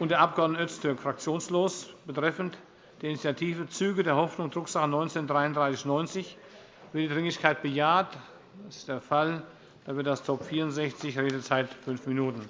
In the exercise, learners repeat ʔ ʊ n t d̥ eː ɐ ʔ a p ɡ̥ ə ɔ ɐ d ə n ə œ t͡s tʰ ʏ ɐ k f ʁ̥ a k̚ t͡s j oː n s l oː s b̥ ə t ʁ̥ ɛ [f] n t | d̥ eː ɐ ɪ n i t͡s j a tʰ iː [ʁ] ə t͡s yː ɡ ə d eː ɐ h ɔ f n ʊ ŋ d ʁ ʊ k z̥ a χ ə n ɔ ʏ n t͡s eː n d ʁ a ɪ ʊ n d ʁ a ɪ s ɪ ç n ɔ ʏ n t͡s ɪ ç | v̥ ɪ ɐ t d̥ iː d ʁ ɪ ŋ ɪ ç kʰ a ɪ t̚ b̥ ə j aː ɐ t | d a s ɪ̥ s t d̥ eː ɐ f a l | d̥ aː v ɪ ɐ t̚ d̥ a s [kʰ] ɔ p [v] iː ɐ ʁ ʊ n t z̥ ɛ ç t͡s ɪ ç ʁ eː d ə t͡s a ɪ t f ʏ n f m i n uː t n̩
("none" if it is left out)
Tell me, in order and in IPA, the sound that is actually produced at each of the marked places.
f, v, tʰ, f

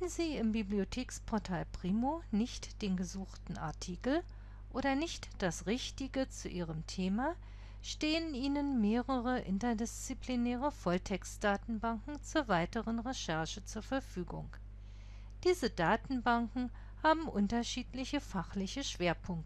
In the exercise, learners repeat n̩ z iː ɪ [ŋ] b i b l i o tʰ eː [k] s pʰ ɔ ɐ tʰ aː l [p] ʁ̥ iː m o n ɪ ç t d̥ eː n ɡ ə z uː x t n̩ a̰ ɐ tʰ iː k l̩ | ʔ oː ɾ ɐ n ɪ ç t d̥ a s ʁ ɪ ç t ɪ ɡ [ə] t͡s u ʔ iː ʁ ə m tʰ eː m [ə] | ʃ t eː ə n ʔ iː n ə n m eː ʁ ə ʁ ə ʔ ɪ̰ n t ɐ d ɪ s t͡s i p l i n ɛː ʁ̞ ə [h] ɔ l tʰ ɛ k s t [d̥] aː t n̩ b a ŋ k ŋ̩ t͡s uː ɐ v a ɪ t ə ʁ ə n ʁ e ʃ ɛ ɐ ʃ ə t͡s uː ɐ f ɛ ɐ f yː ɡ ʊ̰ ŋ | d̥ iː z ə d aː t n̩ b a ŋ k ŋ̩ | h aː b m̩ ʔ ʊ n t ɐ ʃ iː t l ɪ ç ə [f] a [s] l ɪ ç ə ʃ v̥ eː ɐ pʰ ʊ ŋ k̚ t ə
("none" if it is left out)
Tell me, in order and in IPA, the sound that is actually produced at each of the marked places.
m, k, p, ə, a, f, d̥, f, χ

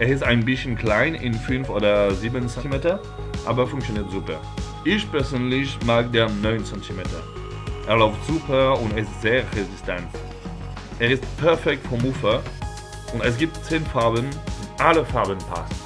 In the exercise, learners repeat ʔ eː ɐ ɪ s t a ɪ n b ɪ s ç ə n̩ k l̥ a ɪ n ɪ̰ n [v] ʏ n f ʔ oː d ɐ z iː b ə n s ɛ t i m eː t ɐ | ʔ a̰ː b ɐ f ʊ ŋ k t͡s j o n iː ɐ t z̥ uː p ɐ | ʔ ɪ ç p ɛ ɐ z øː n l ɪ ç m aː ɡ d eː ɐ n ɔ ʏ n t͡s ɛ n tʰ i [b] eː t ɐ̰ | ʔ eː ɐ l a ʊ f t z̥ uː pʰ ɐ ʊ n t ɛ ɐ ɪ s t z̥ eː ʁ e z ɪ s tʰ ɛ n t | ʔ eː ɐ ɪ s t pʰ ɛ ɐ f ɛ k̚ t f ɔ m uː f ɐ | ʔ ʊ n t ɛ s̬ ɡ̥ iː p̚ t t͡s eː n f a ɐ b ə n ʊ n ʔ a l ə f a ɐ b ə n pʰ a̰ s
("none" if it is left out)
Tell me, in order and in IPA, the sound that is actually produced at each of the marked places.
f, m

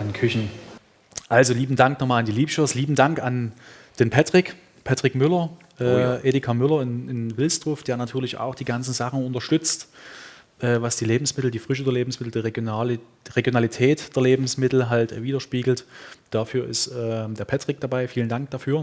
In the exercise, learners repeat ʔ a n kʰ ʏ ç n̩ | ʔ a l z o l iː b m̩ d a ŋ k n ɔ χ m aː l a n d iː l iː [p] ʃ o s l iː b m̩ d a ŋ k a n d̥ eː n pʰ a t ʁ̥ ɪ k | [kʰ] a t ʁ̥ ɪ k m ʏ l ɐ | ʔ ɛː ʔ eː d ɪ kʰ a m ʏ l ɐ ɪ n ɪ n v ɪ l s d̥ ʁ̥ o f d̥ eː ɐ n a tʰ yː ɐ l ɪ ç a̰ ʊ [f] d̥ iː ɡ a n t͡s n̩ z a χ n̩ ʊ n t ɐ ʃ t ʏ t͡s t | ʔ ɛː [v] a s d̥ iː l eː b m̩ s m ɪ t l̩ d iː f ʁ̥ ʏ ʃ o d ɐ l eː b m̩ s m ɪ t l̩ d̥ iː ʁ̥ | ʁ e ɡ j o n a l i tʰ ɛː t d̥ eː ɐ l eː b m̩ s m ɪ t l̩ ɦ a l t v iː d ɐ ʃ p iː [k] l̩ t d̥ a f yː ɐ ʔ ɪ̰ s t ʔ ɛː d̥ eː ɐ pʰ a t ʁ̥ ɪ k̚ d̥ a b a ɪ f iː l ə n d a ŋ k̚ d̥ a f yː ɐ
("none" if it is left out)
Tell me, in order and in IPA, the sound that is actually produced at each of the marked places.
p, pʰ, x, v, ɡ

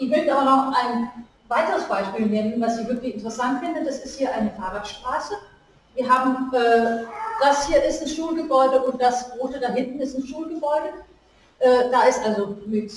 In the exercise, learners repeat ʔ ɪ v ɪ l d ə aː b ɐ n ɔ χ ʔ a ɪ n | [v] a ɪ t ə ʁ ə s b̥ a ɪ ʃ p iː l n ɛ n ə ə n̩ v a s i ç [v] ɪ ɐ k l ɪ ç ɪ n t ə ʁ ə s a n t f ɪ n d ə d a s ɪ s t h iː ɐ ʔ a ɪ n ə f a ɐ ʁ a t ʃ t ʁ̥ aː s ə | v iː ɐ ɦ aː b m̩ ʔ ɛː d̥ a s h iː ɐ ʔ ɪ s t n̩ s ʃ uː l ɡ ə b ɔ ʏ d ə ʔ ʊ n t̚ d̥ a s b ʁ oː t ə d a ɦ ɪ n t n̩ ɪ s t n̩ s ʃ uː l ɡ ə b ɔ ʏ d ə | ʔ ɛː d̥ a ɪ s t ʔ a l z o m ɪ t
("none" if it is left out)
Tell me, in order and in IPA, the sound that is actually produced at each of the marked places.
v, v

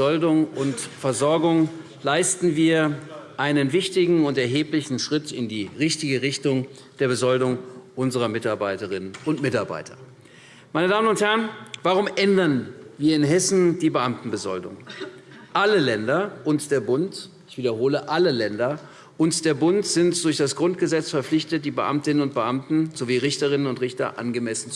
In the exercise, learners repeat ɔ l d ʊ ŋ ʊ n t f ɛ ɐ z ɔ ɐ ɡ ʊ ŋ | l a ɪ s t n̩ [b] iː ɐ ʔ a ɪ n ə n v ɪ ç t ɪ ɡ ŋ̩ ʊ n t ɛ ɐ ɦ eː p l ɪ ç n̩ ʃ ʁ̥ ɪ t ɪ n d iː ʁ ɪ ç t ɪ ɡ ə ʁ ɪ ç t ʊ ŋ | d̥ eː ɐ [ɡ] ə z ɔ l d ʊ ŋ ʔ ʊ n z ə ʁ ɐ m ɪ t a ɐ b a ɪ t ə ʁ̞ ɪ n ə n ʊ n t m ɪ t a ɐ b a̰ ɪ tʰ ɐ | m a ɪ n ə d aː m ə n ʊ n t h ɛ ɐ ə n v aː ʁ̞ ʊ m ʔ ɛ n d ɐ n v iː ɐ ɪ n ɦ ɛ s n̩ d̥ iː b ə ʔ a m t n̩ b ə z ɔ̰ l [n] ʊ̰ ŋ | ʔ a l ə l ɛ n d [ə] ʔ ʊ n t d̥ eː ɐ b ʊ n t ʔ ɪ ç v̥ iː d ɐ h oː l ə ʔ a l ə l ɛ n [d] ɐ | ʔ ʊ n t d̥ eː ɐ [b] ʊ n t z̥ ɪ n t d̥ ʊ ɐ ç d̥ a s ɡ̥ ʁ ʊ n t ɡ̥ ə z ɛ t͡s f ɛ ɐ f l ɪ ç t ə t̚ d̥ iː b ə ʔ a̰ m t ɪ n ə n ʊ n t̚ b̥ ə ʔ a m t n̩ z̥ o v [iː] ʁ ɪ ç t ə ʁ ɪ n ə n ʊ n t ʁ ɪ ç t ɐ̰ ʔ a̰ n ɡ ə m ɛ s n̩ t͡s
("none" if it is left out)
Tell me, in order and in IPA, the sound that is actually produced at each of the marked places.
v, b, d, ɐ, d, b, iː

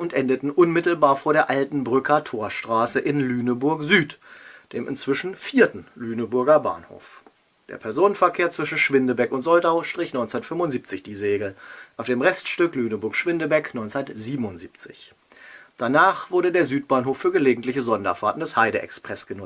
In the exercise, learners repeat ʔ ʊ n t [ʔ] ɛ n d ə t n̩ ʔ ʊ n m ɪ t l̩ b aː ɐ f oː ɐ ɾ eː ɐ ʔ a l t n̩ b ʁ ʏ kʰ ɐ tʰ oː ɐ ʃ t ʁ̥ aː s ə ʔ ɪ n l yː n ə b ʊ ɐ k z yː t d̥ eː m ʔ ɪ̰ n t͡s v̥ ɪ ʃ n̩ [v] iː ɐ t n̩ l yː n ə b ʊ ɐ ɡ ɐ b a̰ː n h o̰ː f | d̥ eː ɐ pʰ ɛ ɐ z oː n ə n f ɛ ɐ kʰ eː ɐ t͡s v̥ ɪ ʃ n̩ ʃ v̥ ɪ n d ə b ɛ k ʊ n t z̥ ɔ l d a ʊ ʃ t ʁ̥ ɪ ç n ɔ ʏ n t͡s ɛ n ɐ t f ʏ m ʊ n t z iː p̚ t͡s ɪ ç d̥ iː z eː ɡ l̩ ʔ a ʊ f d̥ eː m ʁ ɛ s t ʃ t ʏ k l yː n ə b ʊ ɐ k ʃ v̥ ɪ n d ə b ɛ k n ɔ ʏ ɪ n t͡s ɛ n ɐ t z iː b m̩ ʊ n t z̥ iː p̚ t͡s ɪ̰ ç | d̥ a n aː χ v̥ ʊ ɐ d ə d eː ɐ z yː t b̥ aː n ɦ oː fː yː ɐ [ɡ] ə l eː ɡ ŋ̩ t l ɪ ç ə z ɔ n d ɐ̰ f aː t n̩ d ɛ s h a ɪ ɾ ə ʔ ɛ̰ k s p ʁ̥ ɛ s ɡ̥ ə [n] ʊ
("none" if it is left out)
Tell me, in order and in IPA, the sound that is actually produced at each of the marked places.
ʔ, f, ɡ, n

